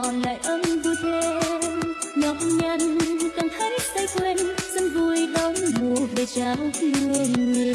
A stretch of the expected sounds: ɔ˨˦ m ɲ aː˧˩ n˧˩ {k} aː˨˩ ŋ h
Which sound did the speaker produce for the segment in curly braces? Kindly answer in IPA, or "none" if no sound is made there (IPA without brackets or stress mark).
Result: k